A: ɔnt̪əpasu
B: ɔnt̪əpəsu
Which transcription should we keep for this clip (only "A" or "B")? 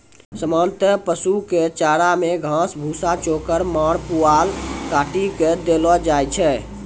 B